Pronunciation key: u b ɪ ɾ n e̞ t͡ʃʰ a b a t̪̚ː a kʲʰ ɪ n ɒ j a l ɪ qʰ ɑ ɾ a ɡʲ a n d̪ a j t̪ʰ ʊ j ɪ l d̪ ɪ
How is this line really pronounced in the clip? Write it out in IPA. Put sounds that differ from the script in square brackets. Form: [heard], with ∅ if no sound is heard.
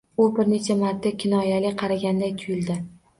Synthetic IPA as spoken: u b ɪ ɾ n e̞ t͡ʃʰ a [m] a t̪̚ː a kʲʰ ɪ n ɒ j a l ɪ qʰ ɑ ɾ a ɡʲ a n d̪ a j t̪ʰ ʊ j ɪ l d̪ ɪ